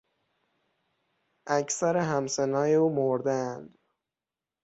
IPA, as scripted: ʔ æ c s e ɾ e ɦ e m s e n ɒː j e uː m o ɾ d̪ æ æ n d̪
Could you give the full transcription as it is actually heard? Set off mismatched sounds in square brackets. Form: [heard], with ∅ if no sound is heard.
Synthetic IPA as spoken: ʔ æ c s [æ] ɾ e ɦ [æ] m s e n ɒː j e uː m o ɾ d̪ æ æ n d̪